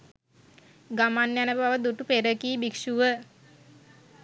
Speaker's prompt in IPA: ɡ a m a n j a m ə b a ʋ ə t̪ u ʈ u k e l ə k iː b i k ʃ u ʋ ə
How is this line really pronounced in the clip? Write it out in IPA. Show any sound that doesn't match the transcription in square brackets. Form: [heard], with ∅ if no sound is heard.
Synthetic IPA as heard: ɡ a m a n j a [n] ə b a ʋ ə [d̪] u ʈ u [p] e [ɾ] ə k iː b i k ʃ u ʋ ə

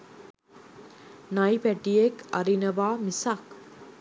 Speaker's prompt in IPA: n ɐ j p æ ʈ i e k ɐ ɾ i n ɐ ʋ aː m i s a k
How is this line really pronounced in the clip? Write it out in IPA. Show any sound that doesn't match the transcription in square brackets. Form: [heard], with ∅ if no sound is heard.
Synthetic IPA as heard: n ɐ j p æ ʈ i e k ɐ ɾ i n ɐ ʋ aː m i s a k

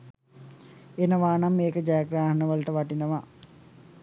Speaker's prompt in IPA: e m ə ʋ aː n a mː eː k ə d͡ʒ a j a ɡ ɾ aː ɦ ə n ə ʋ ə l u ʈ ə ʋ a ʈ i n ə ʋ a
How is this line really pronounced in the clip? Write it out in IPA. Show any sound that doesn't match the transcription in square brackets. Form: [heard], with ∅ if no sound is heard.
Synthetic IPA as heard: e [n] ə ʋ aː n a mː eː k ə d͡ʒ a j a ɡ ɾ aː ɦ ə n ə ʋ ə l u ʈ ə ʋ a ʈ i n ə ʋ a

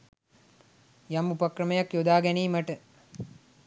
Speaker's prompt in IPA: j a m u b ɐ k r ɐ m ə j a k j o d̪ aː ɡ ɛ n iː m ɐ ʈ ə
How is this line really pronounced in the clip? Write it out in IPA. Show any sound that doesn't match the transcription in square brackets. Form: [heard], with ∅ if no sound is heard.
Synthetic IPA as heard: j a m u [p] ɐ k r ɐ m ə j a k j o d̪ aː ɡ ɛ n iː m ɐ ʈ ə

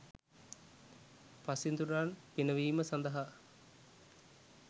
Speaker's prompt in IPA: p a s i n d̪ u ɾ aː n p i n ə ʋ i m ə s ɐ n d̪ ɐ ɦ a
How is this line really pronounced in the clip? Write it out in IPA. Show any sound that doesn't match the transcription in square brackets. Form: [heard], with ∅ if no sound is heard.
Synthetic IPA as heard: p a s i n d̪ u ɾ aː n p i n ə ʋ [iː] m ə s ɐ n d̪ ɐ ɦ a

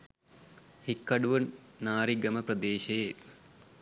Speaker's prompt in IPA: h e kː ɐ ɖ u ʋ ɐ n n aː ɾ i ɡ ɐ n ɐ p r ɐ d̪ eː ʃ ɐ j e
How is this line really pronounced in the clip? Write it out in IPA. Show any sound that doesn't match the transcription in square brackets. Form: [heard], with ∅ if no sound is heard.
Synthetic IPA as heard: h [i] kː ɐ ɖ u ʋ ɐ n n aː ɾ i ɡ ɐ [m] ɐ p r ɐ d̪ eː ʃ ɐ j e

